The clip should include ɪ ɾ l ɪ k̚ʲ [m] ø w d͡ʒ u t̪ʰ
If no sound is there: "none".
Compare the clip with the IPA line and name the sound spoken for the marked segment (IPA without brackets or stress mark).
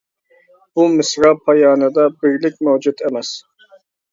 m